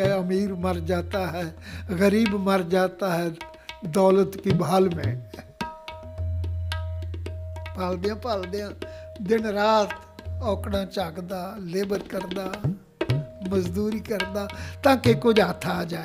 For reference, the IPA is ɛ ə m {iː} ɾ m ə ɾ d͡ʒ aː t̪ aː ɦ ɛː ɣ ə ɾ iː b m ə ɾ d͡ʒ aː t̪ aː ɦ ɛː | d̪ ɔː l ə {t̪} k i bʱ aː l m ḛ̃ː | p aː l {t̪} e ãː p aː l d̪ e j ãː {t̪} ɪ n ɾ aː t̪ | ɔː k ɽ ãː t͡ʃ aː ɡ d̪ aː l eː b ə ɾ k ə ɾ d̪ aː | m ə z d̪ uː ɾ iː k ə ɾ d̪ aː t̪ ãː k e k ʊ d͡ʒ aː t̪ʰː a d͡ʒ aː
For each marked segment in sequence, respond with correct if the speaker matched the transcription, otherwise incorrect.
correct, correct, incorrect: d̪, incorrect: d̪

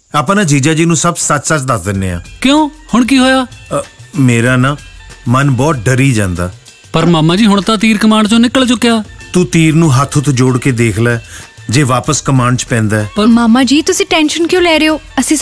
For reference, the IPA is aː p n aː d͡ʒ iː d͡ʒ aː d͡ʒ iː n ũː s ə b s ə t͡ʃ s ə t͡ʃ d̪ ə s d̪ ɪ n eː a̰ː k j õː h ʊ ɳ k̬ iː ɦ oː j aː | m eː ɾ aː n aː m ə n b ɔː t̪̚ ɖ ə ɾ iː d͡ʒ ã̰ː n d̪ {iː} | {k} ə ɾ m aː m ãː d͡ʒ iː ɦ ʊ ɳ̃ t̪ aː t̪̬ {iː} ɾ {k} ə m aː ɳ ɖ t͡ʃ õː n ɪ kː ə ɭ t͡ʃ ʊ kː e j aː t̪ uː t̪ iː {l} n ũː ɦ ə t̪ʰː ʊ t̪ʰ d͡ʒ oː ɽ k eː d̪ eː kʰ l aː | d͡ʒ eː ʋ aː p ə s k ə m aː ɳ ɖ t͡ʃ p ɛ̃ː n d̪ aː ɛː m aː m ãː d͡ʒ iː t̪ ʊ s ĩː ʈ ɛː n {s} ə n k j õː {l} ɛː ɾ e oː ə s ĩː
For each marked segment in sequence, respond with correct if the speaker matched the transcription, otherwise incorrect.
incorrect: aː, incorrect: p, correct, correct, incorrect: ɾ, incorrect: ʃ, correct

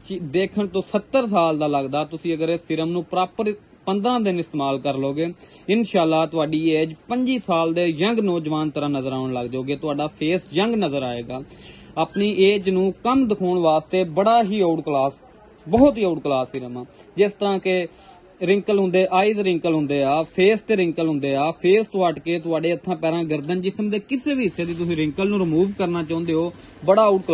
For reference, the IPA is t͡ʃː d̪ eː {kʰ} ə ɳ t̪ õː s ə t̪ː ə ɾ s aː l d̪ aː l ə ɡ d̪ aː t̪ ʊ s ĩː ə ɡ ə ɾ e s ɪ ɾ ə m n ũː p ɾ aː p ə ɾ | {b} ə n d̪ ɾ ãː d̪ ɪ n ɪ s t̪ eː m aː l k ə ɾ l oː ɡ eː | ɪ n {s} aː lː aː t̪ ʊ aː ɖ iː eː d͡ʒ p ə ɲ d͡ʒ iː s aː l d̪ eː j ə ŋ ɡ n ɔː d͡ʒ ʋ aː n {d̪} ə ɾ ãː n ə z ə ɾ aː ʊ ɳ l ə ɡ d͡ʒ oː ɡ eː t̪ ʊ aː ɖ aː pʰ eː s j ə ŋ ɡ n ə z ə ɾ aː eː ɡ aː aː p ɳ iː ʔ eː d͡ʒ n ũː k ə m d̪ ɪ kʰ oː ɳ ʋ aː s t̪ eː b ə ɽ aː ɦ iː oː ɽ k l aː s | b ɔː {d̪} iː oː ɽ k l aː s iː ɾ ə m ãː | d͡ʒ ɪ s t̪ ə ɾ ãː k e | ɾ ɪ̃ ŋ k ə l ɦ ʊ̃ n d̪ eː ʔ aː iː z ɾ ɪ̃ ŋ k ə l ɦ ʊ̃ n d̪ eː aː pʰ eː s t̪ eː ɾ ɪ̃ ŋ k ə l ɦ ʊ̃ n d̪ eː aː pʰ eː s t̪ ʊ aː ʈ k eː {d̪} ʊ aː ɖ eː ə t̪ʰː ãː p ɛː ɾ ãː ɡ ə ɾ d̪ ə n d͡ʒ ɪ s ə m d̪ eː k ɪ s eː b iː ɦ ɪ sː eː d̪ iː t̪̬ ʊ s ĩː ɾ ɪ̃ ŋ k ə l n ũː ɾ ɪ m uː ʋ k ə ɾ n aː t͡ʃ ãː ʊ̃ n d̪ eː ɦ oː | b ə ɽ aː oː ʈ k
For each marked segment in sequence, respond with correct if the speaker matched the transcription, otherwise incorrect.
correct, incorrect: p, incorrect: ʃ, incorrect: t̪, incorrect: t̪, incorrect: t̪

